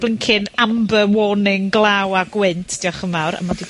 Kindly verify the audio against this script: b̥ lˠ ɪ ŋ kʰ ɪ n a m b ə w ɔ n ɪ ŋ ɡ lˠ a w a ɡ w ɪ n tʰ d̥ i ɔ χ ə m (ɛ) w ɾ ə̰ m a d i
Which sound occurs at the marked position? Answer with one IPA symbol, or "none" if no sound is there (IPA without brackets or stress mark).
a